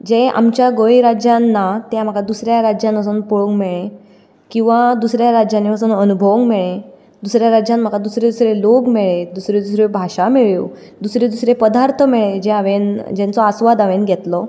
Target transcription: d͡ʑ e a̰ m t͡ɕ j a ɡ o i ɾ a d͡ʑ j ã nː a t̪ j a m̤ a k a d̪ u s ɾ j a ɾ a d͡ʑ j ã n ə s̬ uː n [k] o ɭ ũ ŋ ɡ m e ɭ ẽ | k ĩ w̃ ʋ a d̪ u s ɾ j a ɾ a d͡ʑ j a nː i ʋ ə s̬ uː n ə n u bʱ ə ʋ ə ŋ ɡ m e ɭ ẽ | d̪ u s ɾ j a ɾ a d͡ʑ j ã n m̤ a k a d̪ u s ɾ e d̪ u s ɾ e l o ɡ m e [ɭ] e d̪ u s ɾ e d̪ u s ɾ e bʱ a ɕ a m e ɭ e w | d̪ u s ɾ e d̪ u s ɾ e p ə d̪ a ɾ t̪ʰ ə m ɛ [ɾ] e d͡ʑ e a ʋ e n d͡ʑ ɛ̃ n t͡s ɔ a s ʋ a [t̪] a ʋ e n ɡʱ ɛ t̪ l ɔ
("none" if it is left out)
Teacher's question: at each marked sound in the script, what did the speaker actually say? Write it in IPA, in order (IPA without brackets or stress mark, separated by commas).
p, ɭ, ɭ, d̪